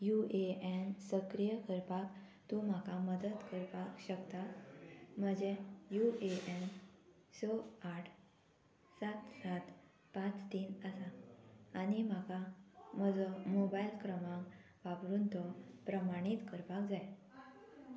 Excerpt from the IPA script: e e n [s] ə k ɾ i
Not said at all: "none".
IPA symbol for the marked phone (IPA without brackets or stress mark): s